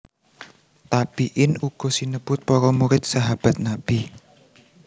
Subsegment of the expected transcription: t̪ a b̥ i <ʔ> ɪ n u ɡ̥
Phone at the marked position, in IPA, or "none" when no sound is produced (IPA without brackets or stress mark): ʔ